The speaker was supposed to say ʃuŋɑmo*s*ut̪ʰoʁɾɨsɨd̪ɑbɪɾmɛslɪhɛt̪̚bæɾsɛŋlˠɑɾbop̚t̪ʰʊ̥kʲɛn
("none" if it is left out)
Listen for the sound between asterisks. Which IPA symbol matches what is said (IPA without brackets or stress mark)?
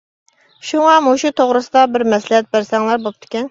ʃ